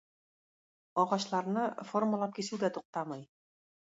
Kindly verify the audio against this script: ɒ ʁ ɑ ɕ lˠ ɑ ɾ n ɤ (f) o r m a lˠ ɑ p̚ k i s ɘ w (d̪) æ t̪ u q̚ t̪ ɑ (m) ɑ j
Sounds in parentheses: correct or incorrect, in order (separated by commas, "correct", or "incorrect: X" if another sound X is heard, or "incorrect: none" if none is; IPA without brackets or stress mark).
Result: correct, correct, correct